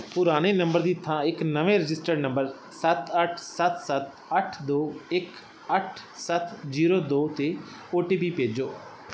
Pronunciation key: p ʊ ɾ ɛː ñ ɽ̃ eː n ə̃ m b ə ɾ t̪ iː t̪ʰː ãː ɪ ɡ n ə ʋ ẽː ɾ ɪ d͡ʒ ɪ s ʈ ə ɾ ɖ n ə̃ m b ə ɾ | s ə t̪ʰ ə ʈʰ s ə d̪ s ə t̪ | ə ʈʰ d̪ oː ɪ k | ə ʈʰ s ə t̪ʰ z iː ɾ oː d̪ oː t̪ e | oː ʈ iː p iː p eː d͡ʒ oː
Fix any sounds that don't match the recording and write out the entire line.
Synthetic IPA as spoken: p ʊ ɾ aː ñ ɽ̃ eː n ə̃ m b ə ɾ d̪ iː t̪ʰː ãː ɪ k n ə ʋ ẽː ɾ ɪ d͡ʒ ɪ s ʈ ə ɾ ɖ n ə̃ m b ə ɾ | s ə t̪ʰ ə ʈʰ s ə t̪ s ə t̪ | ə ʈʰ d̪ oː ɪ k | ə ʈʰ s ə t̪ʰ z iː ɾ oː d̪ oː t̪ e | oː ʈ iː p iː p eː d͡ʒ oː